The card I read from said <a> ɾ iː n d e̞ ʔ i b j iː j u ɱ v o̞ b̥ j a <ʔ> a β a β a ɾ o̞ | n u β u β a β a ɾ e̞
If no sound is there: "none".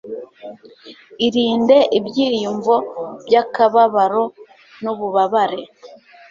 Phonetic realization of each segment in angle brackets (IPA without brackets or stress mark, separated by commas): i, k